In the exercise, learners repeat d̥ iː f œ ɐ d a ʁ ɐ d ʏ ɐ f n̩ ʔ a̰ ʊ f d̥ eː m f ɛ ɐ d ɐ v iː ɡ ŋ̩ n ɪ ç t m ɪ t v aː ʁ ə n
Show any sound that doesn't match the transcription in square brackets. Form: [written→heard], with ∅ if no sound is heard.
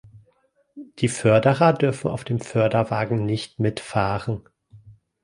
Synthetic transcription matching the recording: d̥ iː f œ ɐ d [a→ə] ʁ ɐ d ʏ ɐ f n̩ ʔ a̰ ʊ f d̥ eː m f [ɛ→œ] ɐ d ɐ v [iː→aː] ɡ ŋ̩ n ɪ ç t m ɪ t [v→f] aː ʁ ə n